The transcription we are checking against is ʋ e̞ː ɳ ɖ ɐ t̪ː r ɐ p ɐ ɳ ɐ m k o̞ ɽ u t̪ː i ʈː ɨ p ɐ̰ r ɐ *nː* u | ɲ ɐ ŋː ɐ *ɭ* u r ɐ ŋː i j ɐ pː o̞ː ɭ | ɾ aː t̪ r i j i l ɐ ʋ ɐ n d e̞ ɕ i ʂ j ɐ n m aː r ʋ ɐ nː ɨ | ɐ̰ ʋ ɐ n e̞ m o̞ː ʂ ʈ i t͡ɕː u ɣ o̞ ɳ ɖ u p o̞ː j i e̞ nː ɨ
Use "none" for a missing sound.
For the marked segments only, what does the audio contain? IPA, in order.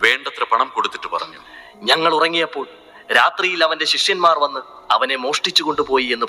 ɲː, ɭ

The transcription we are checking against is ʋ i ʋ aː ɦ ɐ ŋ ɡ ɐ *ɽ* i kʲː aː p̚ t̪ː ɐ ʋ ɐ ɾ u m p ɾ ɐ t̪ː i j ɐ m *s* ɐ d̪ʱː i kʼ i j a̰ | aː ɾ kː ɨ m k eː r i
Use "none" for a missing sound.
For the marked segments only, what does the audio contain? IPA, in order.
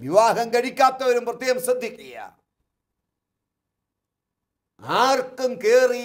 ɽ, s

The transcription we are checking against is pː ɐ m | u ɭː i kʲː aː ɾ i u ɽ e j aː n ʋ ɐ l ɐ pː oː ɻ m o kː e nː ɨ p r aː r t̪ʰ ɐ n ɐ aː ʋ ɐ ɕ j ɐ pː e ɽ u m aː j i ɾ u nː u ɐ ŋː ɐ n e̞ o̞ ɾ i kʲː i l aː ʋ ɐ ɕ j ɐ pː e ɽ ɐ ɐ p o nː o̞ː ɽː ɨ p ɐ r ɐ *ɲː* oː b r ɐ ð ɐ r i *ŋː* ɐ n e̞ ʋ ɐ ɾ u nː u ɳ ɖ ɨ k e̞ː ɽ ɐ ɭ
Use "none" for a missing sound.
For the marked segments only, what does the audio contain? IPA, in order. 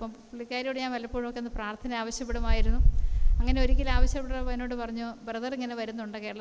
ɲː, ŋː

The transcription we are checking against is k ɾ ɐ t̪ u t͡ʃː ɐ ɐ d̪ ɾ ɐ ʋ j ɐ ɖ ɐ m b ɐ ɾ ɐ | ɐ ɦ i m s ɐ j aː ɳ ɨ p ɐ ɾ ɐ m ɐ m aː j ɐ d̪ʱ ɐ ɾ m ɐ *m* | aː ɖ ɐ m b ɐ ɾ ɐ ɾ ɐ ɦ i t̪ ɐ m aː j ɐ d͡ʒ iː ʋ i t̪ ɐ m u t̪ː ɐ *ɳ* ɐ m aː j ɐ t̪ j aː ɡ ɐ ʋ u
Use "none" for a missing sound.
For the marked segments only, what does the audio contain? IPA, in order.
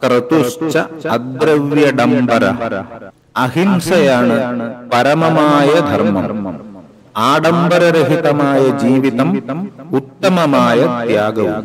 m, m

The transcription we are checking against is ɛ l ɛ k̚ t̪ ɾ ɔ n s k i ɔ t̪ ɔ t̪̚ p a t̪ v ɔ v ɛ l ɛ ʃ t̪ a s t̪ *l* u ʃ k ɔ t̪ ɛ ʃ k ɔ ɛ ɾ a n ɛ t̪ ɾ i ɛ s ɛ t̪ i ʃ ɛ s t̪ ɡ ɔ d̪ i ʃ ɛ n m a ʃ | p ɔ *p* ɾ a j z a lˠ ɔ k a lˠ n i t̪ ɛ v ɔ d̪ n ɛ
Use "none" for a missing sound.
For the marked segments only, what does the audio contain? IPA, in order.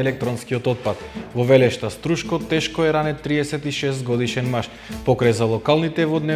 ɾ, k

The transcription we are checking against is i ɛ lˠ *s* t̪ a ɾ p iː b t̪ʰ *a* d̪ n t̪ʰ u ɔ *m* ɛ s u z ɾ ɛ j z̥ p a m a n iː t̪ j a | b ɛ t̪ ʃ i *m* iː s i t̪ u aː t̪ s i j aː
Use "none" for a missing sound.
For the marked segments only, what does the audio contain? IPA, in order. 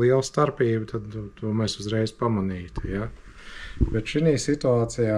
s, a, m, n

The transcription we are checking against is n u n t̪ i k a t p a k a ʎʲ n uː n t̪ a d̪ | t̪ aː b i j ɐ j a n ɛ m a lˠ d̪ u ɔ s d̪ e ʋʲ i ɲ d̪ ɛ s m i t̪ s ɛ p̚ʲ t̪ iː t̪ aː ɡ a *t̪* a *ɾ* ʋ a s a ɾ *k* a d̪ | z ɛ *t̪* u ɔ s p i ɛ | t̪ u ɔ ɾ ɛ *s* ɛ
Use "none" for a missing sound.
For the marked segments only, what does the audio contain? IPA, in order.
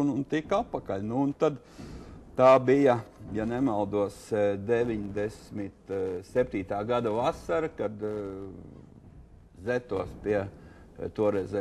d̪, none, k, t̪, z

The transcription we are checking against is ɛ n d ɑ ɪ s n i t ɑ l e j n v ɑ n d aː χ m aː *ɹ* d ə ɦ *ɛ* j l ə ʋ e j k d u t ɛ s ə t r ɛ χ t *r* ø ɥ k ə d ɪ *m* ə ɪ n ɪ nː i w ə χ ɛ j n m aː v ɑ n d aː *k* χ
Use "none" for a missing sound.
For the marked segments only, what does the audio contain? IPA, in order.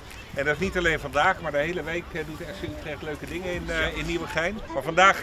ɹ, e, l, ŋ, none

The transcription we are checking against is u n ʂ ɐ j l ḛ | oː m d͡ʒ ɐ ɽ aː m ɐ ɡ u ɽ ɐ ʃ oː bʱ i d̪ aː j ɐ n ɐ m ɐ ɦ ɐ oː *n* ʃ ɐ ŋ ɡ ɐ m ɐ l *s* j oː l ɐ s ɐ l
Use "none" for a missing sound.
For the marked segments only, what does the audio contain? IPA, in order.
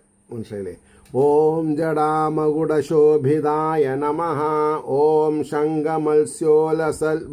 m, s

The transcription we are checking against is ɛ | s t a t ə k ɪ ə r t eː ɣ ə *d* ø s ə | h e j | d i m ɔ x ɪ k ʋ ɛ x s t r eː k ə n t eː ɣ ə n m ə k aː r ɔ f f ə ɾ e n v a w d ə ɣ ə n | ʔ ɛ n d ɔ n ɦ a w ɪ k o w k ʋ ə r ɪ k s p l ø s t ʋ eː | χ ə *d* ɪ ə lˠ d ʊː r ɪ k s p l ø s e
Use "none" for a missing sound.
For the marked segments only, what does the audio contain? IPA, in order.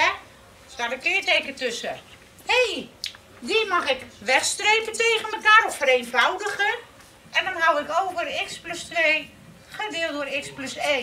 t, d

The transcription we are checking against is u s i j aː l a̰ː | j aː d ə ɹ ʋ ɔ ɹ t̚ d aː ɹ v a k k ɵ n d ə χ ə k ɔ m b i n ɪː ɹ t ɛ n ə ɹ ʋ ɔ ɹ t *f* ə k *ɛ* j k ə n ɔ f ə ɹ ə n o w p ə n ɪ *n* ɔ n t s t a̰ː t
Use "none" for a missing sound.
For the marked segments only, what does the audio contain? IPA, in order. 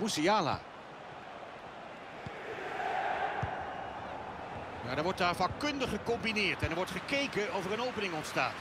χ, e, ŋ

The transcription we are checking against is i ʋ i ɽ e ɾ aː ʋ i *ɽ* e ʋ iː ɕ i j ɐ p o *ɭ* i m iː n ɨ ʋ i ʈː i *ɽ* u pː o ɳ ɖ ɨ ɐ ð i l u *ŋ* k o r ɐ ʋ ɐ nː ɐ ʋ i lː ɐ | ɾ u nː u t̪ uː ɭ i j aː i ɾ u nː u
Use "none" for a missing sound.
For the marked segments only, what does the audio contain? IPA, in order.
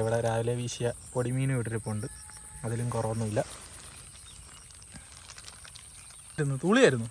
l, ɽ, ɾ, m

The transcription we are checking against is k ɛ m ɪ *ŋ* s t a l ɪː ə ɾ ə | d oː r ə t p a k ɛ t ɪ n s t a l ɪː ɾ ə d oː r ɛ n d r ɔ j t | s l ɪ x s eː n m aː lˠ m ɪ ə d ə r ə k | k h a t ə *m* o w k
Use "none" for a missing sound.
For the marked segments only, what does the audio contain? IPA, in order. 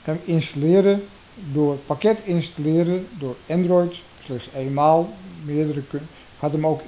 n, m

